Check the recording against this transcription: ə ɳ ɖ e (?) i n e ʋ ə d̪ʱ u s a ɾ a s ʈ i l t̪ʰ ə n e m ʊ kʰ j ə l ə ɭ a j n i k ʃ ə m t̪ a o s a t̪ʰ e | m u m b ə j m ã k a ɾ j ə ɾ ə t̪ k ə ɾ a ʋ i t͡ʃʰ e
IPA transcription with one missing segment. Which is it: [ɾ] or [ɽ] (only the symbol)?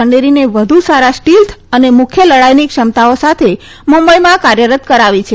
ɾ